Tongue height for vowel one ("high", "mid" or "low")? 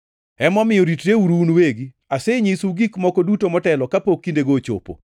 mid